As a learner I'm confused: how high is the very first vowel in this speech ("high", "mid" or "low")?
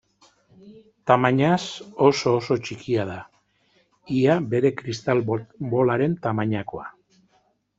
low